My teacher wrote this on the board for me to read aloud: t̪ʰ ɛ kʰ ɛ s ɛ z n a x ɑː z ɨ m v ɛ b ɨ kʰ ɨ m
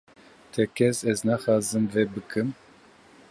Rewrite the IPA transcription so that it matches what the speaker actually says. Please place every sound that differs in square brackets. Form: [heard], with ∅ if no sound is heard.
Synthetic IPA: t̪ʰ ɛ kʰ ɛ s ɛ z n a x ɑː z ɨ m v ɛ b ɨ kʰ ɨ m